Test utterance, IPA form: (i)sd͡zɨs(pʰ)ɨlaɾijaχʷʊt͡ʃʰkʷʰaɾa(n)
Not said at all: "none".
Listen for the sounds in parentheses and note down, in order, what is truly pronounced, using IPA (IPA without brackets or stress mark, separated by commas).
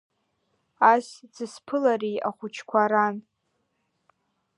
a, pʰ, n